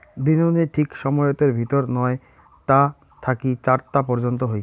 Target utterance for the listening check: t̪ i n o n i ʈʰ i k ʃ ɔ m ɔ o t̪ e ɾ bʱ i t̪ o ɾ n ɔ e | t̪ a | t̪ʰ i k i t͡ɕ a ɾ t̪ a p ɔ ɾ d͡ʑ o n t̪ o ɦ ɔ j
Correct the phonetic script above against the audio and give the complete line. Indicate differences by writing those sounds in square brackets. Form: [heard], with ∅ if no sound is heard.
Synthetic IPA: [d̪] i n o n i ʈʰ i k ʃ ɔ m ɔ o t̪ e ɾ bʱ i t̪ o ɾ n ɔ e | t̪ a | t̪ʰ [a] k i t͡ɕ a ɾ t̪ a p ɔ ɾ d͡ʑ o n t̪ o ɦ [o] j